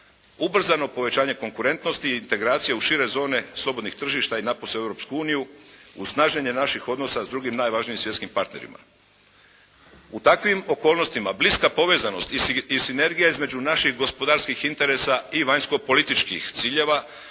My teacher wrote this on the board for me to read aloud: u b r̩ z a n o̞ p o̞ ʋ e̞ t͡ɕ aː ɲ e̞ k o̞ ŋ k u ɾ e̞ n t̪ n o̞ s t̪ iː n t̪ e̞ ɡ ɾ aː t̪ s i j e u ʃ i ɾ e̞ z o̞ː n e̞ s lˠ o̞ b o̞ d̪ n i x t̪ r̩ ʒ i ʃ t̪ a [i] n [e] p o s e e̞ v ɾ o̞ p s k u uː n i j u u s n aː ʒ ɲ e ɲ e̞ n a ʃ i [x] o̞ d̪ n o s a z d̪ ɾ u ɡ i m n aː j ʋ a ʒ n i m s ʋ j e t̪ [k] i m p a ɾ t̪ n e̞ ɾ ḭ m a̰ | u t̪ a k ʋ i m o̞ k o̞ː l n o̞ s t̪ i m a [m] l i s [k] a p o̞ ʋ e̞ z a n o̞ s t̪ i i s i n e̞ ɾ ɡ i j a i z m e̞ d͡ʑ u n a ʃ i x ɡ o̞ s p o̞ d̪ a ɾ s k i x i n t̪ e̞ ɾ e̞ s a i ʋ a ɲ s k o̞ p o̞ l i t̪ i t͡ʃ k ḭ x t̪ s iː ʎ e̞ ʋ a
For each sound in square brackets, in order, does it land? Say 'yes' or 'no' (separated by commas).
yes, no, yes, yes, no, yes